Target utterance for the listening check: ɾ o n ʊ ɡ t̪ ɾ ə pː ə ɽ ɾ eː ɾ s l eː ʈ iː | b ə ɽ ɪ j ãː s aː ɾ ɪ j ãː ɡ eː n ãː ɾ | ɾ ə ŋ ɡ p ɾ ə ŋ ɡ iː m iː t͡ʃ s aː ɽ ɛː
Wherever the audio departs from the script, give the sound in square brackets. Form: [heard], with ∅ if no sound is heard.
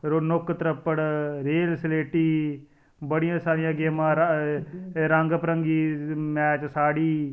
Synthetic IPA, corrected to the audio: ɾ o n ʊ [k] t̪ ɾ ə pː ə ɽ ɾ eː [l] s l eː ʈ iː | b ə ɽ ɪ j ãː s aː ɾ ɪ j ãː ɡ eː [m] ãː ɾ | ɾ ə ŋ ɡ p ɾ ə ŋ ɡ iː m [ɛː] t͡ʃ s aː ɽ [iː]